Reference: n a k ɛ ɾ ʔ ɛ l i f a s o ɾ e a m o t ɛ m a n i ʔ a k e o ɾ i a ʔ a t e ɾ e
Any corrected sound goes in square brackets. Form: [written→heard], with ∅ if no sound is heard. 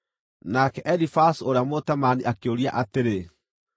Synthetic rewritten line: n a k ɛ [ɾ→∅] ʔ ɛ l i f a s o ɾ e a m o t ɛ m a n i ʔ a k e o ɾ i a ʔ a t e ɾ e